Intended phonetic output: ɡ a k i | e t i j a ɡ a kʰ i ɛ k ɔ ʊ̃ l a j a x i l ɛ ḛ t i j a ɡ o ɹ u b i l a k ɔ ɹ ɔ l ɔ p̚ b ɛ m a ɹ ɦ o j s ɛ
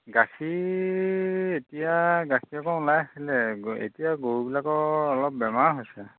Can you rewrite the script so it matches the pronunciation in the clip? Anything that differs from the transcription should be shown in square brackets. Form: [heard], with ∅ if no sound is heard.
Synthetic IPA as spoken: ɡ a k i | e t i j a ɡ a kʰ i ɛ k ɔ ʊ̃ l a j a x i l ɛ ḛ t i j a ɡ o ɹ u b i l a k ɔ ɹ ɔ l ɔ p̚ b ɛ m a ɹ ɦ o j s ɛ